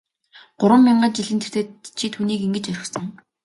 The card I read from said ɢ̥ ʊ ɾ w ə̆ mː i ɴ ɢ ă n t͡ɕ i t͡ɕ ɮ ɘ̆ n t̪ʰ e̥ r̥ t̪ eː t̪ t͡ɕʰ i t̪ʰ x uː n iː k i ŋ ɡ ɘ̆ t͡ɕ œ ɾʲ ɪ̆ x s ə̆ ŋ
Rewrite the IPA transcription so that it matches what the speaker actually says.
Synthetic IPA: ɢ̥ ʊ ɾ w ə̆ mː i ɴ ɢ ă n t͡ɕ i ɮ ɘ̆ n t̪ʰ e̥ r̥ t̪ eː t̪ t͡ɕʰ i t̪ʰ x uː n iː k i ŋ ɡ ɘ̆ t͡ɕ œ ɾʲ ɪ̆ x s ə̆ ŋ